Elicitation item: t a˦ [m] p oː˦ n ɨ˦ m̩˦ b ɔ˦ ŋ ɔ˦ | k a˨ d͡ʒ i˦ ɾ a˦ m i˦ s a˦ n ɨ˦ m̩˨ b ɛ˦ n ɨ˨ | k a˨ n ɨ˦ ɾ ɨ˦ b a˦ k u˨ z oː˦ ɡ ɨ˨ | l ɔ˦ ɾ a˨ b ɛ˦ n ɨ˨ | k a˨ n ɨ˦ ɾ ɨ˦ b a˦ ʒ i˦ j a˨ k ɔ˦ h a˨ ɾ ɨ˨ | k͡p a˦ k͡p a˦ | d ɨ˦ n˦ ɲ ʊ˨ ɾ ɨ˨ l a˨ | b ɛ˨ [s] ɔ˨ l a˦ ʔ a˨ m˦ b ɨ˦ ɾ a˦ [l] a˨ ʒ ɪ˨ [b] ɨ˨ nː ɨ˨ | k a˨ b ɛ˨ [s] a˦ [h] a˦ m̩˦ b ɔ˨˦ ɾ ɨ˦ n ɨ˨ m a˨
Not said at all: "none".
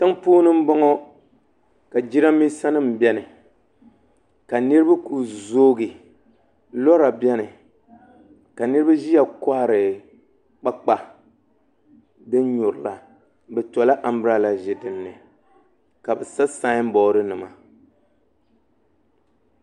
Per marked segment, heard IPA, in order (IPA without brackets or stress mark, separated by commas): ŋ, t, l, d, s, s